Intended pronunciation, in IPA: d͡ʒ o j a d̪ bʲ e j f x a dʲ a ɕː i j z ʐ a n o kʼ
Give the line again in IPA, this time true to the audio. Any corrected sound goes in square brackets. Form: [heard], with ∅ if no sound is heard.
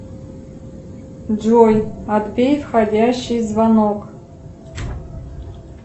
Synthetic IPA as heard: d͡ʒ o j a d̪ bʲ e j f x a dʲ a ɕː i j z [v] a n o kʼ